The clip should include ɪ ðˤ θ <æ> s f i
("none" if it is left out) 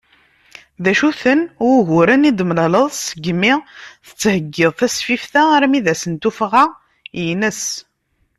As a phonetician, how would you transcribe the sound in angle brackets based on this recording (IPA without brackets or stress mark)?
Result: æ